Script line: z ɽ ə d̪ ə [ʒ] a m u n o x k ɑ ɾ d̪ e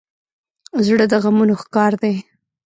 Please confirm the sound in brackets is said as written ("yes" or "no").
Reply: no